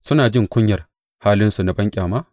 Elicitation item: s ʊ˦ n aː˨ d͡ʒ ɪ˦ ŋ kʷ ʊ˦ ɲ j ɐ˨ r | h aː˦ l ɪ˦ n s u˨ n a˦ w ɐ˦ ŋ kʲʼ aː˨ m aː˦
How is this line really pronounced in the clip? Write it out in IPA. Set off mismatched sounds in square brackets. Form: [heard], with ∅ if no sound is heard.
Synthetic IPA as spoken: s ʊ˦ n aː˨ d͡ʒ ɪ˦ ŋ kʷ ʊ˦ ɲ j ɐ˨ r | h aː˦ l ɪ˦ n s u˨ n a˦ [b] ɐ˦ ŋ kʲʼ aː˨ m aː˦

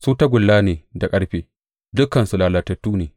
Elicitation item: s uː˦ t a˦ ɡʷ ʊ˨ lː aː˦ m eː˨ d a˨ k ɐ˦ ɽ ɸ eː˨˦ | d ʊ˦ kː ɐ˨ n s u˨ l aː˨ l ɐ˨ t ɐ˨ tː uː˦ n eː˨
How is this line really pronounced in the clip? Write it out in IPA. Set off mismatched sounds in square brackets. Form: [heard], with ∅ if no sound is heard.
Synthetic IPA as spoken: s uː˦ t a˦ ɡʷ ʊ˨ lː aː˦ [n] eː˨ d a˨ [kʼ] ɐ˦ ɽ ɸ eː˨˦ | d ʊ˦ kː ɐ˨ n s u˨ l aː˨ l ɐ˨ t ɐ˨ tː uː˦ n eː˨

